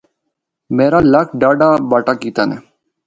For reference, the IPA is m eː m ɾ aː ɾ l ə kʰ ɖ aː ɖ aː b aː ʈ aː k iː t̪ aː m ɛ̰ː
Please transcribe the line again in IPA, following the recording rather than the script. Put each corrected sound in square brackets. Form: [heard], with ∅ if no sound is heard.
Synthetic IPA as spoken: m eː [∅] ɾ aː [∅] l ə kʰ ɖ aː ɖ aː b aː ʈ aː k iː t̪ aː [n] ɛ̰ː